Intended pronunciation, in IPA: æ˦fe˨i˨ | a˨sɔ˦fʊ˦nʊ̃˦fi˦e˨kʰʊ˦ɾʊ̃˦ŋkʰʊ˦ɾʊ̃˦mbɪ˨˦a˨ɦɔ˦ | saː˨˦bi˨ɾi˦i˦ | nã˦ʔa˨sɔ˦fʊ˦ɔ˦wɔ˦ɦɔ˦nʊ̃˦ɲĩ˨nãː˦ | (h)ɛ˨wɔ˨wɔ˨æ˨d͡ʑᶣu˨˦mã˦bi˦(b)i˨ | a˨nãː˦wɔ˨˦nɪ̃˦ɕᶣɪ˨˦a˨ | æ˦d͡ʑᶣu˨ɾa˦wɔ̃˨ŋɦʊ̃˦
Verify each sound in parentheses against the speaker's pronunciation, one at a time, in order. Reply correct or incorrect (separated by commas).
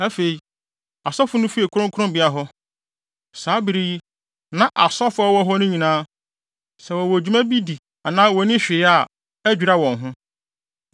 incorrect, incorrect